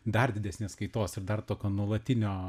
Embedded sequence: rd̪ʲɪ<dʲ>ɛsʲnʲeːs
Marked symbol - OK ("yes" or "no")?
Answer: yes